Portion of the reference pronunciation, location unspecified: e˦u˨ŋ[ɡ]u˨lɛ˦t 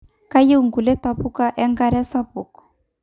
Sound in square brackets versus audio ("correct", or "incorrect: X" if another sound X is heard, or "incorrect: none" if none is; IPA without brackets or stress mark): correct